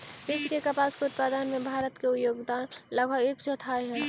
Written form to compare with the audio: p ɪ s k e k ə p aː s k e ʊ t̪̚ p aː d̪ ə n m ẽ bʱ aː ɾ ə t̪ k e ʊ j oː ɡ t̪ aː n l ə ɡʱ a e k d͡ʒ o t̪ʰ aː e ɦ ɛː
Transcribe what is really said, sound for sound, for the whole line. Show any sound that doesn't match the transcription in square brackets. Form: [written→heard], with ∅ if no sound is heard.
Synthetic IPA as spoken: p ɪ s k e k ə p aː s k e ʊ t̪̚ p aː d̪ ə n m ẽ bʱ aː ɾ ə t̪ k e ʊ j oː ɡ [t̪→d̪] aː n l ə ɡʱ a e k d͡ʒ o t̪ʰ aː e ɦ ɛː